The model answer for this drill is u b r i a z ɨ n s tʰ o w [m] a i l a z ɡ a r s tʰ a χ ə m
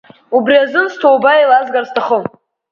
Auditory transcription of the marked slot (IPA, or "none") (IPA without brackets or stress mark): b